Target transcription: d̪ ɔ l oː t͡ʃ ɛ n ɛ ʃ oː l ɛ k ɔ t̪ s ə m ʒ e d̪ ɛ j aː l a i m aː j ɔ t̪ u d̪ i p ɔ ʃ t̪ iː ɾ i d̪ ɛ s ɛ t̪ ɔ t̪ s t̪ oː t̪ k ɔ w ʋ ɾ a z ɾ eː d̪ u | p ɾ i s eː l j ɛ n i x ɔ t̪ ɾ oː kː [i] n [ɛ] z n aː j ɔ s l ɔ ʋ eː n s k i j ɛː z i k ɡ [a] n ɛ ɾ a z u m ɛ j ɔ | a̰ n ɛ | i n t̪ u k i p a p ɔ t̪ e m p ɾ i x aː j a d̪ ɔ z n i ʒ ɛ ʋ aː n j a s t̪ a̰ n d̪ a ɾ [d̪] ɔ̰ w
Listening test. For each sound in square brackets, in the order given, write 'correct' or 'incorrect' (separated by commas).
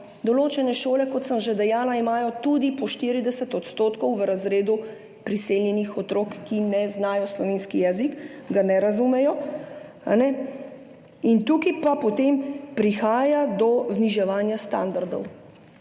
correct, correct, correct, correct